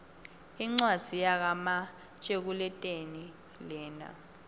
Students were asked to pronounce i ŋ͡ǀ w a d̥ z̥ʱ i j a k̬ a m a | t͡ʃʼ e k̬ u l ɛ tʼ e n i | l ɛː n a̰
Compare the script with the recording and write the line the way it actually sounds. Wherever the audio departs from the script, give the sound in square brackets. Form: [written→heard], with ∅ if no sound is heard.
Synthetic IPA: i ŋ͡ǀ w a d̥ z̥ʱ i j a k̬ a m a | t͡ʃʼ e k̬ u l ɛ tʼ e n i | l ɛː n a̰